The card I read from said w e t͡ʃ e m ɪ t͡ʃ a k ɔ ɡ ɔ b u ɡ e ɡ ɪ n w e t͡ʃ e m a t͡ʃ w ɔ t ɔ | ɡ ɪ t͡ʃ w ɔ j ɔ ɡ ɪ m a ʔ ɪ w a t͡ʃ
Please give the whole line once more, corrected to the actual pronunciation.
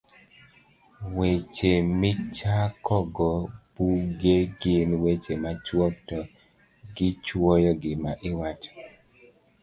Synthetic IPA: w e t͡ʃ e m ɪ t͡ʃ a k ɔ ɡ ɔ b u ɡ e ɡ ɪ n w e t͡ʃ e m a t͡ʃ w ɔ t ɔ | ɡ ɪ t͡ʃ w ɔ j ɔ ɡ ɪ m a ʔ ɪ w a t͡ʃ